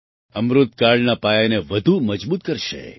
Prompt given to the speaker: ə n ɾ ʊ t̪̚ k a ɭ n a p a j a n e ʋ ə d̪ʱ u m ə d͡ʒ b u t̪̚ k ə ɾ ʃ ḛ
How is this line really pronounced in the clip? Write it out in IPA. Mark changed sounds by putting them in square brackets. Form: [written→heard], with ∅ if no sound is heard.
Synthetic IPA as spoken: ə [n→m] ɾ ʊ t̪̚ k a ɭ n a p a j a n e ʋ ə d̪ʱ u m ə d͡ʒ b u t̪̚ k ə ɾ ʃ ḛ